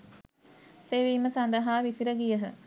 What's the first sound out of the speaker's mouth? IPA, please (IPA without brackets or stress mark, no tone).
s